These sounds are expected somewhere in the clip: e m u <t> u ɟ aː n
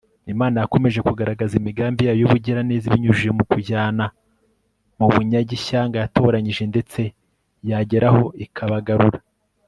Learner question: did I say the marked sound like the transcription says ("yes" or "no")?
no